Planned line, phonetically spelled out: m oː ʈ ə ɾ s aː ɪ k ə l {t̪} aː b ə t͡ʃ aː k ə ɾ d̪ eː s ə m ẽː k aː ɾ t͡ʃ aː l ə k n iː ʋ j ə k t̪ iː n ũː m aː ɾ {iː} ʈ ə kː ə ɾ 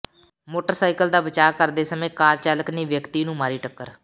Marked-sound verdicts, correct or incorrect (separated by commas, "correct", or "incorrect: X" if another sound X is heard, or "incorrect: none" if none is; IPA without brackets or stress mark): incorrect: d̪, correct